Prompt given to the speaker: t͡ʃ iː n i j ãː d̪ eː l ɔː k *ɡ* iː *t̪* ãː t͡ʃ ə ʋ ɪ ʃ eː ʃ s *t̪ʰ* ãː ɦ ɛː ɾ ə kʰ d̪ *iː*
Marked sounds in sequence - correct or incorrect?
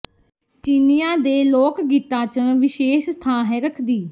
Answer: correct, correct, correct, correct

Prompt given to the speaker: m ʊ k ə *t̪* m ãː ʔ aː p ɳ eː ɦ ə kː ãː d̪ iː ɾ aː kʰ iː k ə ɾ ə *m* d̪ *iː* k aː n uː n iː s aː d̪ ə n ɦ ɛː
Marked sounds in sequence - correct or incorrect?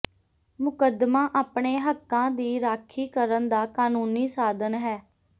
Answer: incorrect, incorrect, incorrect

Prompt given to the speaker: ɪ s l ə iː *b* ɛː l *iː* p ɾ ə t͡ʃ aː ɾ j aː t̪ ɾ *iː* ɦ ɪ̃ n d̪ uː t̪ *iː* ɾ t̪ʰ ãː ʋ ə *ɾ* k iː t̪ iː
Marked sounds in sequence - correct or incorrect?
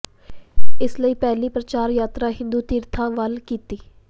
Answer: incorrect, correct, incorrect, correct, incorrect

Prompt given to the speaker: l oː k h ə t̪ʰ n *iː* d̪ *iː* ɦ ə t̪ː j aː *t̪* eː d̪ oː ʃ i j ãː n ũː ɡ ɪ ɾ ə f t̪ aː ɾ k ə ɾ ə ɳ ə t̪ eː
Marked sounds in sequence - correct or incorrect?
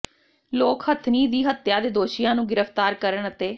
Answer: correct, correct, incorrect

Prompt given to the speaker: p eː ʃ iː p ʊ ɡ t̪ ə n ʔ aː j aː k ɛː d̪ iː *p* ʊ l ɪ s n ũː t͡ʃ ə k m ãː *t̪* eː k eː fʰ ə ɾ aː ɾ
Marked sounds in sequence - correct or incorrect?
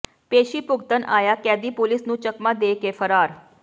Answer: correct, incorrect

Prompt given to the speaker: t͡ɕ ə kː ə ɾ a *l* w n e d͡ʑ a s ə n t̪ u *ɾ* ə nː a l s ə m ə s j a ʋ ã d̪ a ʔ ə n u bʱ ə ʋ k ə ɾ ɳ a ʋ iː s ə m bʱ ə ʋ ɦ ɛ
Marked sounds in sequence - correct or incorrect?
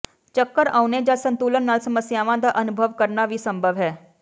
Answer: incorrect, incorrect

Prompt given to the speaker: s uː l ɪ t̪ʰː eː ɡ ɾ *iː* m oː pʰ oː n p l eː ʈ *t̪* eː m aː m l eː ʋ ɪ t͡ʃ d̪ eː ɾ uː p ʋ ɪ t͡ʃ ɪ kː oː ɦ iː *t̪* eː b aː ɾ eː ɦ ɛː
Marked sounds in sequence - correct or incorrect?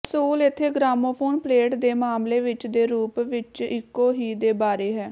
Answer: incorrect, incorrect, incorrect

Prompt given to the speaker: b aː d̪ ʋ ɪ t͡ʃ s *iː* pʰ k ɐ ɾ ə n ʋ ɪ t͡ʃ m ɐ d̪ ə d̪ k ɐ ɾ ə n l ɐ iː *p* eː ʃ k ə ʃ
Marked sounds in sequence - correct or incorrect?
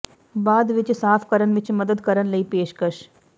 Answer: incorrect, correct

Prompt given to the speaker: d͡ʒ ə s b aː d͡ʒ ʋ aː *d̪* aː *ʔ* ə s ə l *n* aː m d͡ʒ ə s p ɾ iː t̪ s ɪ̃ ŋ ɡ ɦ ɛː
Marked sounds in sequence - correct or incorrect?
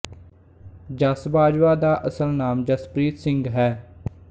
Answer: correct, correct, correct

